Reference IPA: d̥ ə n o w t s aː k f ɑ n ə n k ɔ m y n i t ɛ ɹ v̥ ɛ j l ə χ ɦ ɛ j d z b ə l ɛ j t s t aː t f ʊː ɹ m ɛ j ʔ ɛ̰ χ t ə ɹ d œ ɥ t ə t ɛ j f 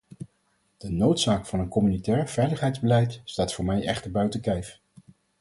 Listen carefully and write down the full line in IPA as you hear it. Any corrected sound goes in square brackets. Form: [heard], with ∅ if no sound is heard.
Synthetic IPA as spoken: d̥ ə n o w t s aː k f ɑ n ə n k ɔ m y n i t [ɛː] ɹ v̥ ɛ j l ə χ ɦ ɛ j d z b ə l ɛ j t s t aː t f ʊː ɹ m ɛ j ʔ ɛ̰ χ t ə ɹ [b] œ ɥ t ə [k] ɛ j f